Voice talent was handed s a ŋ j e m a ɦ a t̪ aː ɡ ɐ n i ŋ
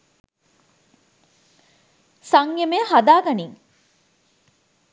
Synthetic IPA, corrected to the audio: s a ŋ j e m e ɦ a d̪ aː ɡ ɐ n i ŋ